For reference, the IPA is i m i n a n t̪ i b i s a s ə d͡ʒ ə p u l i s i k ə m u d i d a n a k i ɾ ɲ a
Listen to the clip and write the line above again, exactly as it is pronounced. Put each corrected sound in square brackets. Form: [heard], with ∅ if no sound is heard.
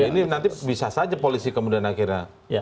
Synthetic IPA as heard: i [n] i n a n t̪ i b i s a s [a] d͡ʒ [a] p [o] l i s i k ə m u d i [∅] a n a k i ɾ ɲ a